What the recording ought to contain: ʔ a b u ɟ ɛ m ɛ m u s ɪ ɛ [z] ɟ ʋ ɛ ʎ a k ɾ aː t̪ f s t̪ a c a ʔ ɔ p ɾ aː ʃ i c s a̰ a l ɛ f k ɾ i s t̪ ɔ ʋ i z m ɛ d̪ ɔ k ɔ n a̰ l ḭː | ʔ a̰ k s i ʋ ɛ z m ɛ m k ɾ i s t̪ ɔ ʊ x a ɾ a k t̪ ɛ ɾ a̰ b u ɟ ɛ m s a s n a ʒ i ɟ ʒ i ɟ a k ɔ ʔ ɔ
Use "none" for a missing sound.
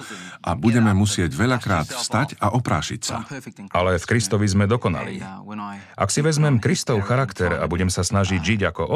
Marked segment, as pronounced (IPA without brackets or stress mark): none